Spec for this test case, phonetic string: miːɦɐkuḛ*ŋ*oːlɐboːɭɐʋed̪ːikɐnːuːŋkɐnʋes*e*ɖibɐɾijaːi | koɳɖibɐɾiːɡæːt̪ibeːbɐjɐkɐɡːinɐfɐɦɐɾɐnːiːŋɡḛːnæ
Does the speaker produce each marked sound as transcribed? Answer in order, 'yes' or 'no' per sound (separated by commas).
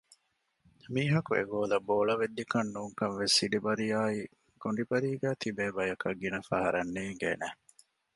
no, no